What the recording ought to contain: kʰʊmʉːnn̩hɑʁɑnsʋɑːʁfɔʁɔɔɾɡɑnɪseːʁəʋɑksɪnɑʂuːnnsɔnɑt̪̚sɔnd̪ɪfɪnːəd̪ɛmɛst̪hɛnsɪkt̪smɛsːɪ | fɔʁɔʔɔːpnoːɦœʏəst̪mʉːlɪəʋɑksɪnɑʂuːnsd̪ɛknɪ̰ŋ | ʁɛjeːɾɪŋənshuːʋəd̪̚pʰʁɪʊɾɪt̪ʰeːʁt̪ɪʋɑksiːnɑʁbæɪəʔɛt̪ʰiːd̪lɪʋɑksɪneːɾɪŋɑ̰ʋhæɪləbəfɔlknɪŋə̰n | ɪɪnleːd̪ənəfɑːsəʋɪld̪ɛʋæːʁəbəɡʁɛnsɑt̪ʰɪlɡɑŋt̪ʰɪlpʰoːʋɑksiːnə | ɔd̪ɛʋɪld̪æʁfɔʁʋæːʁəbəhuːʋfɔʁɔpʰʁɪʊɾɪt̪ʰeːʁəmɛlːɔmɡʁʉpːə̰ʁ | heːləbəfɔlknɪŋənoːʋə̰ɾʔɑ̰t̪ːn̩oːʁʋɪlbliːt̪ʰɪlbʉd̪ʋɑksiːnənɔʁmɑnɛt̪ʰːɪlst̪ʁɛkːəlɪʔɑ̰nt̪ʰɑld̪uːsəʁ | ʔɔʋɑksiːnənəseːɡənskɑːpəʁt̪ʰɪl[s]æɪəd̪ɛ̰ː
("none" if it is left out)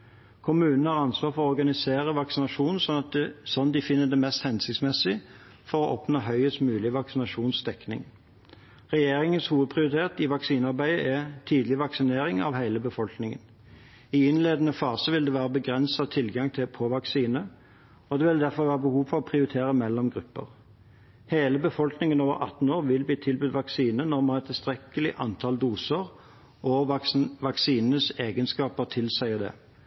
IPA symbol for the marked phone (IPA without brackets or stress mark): s